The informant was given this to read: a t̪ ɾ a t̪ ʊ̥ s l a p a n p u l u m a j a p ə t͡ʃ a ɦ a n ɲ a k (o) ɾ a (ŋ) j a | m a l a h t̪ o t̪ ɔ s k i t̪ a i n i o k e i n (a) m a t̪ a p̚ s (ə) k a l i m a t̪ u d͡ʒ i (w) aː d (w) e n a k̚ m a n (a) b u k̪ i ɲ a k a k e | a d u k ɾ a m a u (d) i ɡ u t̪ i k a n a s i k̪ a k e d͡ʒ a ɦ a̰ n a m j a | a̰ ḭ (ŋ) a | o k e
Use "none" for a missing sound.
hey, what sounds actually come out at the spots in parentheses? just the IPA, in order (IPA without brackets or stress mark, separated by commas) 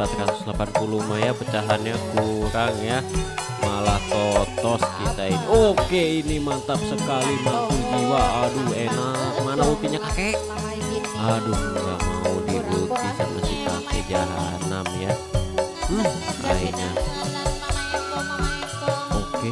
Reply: u, ŋ, i, ə, w, u, a, d, ɲ